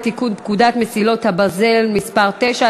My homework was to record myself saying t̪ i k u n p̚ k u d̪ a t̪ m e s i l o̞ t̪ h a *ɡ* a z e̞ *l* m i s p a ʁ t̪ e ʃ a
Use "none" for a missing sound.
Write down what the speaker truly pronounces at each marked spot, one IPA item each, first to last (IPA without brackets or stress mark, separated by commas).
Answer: b, l